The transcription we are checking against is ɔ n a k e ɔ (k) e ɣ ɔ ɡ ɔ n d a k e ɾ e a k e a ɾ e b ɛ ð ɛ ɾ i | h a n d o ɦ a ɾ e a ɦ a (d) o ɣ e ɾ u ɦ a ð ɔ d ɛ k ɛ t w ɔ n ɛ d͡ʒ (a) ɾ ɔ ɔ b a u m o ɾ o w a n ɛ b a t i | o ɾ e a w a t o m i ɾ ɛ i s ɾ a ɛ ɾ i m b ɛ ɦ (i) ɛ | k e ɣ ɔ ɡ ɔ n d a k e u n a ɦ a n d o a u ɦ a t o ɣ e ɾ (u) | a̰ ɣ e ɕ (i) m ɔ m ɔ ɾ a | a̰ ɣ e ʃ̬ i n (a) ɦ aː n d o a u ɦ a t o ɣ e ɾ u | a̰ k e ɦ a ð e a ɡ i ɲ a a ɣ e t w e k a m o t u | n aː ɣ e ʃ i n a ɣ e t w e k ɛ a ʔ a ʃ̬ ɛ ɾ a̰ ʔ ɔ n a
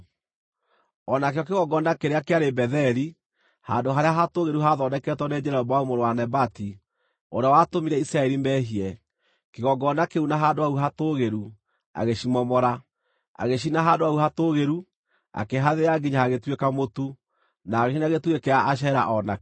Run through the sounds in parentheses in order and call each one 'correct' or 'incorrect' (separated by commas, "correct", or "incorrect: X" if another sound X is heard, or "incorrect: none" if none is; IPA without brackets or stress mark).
correct, incorrect: t, incorrect: ɛ, correct, correct, correct, correct